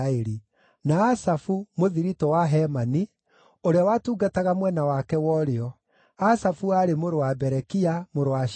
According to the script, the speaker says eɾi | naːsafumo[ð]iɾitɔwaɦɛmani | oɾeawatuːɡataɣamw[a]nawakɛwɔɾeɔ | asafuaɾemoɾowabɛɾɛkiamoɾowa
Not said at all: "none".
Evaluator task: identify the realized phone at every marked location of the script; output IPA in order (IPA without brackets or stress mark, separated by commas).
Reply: ð, ɛ